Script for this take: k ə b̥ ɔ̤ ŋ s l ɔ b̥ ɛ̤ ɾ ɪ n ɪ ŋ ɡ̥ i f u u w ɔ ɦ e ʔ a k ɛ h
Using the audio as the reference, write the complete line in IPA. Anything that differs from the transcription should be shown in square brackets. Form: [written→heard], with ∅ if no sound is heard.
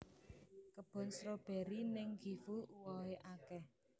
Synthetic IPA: k ə b̥ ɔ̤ [ŋ→n] s [l→ɾ] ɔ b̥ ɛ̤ ɾ [ɪ→i] n ɪ ŋ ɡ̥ i f u u w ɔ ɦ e ʔ a k ɛ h